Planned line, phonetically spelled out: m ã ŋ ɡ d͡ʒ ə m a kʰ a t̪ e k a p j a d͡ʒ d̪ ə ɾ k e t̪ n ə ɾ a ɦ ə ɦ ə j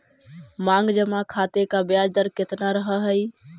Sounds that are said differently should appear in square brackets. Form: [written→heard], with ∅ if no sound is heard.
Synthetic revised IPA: m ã ŋ ɡ d͡ʒ ə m a kʰ a t̪ e k a [p→b] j a d͡ʒ d̪ ə ɾ k e t̪ n [ə→a] ɾ [a→ə] ɦ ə ɦ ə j